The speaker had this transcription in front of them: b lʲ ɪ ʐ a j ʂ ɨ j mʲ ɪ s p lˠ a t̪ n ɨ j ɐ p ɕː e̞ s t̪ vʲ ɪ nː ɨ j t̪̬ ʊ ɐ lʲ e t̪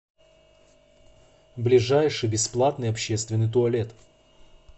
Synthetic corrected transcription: b lʲ ɪ ʐ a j ʂ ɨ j bʲ ɪ s p lˠ a t̪ n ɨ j ɐ p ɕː e̞ s t̪ vʲ ɪ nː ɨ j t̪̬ ʊ ɐ lʲ e t̪